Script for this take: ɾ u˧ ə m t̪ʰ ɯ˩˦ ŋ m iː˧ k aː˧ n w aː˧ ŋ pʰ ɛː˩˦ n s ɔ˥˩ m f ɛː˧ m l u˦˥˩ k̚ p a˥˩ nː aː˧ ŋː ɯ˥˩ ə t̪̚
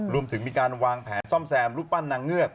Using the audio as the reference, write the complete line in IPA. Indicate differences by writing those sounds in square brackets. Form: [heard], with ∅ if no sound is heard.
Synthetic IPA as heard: ɾ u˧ ə m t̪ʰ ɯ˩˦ ŋ m iː˧ k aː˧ n w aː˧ ŋ pʰ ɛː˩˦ n s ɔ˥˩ m [s] ɛː˧ m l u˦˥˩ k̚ p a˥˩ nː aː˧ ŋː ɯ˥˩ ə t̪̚